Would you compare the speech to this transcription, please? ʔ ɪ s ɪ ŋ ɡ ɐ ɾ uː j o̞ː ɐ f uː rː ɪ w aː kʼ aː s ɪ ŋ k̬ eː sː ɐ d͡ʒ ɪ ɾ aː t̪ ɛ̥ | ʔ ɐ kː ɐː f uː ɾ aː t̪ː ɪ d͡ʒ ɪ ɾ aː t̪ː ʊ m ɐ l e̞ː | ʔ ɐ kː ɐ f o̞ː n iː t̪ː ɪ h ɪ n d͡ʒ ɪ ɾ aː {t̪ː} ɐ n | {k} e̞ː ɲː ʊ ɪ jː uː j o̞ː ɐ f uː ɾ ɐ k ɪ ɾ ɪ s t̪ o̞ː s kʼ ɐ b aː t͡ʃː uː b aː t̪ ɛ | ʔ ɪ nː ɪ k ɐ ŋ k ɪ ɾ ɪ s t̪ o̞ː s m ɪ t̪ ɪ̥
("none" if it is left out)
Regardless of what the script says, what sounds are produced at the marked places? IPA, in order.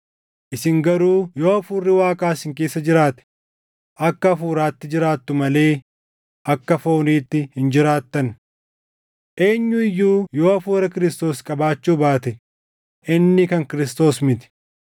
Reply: t̪ː, ʔ

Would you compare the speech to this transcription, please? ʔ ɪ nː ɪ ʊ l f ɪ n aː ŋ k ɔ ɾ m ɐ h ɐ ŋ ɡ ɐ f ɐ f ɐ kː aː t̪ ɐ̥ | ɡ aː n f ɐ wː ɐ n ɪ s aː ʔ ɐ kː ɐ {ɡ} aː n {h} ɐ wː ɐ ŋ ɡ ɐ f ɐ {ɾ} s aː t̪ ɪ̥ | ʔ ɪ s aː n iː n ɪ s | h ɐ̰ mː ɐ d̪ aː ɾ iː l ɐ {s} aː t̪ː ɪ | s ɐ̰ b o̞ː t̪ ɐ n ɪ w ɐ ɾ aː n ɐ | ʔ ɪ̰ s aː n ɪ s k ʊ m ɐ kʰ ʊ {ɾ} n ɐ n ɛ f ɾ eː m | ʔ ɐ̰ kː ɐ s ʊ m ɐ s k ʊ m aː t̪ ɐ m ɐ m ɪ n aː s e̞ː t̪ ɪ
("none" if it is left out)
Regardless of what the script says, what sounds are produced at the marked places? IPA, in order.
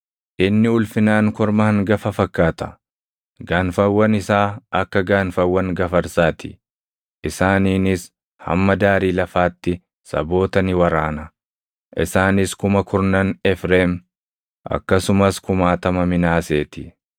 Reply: ɡ, f, ɾ, f, ɾ

